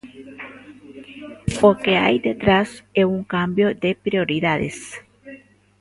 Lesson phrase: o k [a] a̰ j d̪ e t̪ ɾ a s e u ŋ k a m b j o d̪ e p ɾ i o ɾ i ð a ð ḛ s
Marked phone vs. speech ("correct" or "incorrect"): incorrect